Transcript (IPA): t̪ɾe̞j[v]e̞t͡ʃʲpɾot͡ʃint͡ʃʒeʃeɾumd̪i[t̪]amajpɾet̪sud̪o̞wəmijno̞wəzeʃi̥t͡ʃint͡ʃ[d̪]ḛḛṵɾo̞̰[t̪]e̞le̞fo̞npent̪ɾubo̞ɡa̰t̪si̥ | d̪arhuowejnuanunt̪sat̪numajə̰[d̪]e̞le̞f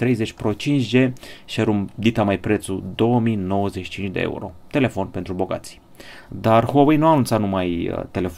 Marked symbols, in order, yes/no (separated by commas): no, yes, yes, yes, no